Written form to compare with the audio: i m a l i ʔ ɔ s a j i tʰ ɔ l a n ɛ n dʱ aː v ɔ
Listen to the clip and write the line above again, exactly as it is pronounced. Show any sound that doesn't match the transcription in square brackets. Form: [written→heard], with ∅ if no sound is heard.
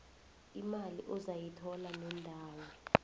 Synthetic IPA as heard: i m a l i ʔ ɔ [s→z] a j i tʰ ɔ l a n ɛ n dʱ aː [v→w] ɔ